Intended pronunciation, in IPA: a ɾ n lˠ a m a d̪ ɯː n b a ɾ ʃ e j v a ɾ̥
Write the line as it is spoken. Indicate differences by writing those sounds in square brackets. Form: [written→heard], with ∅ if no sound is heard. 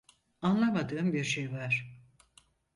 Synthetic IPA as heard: a [ɾ→∅] n lˠ a m a d̪ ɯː [n→m] b [a→i] ɾ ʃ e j v a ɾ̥